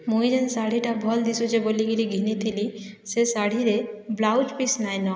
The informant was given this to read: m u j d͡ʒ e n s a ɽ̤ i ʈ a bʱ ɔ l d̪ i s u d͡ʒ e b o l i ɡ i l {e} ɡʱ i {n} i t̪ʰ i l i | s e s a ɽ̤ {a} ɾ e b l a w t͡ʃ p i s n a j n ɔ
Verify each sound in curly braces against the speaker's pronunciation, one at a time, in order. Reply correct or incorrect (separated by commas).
incorrect, correct, incorrect